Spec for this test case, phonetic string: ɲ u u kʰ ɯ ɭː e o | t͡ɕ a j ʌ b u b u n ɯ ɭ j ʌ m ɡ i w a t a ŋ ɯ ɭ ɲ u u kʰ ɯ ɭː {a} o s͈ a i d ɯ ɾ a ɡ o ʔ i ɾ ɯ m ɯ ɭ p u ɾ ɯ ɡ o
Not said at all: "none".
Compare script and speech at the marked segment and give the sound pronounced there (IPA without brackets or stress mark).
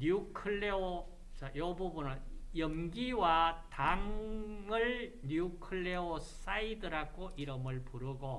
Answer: e